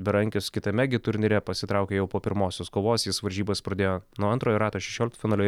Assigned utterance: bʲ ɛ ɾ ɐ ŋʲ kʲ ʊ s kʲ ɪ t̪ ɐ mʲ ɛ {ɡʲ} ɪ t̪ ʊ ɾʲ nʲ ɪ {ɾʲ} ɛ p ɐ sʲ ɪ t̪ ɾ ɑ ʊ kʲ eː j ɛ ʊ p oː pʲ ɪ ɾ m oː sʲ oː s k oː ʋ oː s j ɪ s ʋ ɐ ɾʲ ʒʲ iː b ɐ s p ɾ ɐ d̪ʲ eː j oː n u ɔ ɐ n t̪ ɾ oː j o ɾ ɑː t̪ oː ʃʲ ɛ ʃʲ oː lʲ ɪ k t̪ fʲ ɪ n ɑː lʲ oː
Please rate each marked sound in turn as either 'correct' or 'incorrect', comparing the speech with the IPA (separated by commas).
correct, correct